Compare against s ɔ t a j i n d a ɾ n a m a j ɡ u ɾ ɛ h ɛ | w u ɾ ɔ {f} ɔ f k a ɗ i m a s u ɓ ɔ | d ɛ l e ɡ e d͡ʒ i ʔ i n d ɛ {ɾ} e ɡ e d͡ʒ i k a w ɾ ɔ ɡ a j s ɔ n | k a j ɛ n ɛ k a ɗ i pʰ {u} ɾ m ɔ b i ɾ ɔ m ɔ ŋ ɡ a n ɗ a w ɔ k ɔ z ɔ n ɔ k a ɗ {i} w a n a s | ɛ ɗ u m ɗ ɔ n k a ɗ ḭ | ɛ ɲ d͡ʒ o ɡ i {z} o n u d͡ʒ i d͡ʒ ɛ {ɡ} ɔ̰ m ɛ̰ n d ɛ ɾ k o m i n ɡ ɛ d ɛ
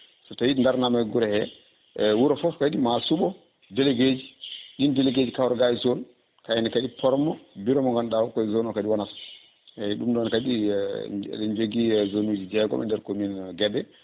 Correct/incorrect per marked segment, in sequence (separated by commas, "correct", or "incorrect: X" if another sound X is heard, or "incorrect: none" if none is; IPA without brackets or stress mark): correct, incorrect: l, incorrect: ɔ, correct, correct, correct